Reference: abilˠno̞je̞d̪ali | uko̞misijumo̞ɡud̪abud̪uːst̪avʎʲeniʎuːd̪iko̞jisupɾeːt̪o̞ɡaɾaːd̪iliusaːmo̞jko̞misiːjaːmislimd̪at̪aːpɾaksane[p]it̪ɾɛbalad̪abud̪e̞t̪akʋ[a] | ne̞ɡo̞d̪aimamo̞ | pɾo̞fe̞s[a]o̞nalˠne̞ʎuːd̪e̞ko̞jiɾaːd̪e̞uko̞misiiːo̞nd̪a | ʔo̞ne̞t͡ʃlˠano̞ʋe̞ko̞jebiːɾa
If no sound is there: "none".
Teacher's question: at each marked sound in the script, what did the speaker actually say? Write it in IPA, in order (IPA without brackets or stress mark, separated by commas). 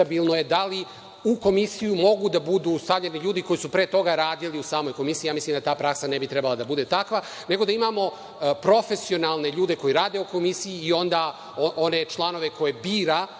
b, a, i